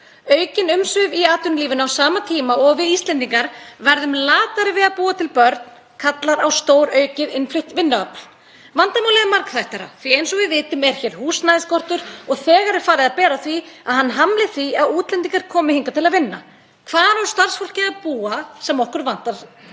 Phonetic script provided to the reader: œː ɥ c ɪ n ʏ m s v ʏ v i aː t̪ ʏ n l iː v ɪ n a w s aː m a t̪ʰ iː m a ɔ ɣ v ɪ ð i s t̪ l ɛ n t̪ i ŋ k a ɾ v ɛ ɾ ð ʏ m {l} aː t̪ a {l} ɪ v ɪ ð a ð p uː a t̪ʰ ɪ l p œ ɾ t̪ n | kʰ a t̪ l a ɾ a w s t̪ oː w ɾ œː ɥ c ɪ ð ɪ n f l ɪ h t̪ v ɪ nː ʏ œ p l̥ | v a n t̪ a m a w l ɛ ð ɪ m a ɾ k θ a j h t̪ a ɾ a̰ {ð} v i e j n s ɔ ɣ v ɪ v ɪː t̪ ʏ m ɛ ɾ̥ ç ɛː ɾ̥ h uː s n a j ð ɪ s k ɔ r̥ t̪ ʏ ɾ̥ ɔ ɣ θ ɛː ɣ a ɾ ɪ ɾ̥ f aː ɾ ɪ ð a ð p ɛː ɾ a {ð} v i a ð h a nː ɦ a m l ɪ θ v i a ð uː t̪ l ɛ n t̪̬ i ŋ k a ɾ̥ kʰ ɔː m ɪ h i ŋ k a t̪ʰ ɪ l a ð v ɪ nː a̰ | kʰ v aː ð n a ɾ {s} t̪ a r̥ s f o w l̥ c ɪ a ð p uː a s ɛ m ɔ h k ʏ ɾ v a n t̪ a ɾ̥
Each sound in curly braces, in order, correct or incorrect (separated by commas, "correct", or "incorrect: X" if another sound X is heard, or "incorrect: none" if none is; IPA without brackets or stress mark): correct, incorrect: ɾ, incorrect: θ, incorrect: θ, correct